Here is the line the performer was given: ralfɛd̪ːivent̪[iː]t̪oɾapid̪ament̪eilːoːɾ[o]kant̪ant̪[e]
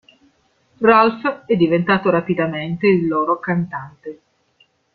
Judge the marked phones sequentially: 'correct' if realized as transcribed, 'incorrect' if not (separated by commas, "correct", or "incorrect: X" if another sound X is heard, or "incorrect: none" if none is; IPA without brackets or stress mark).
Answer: incorrect: aː, correct, correct